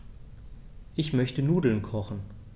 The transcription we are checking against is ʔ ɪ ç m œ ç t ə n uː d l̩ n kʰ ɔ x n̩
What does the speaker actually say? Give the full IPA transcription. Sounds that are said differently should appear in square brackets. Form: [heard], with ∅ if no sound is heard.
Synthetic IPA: ʔ ɪ ç m œ ç t ə n uː d l̩ n kʰ ɔ [χ] n̩